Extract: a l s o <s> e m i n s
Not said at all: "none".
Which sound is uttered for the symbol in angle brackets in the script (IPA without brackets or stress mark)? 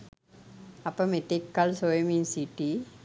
none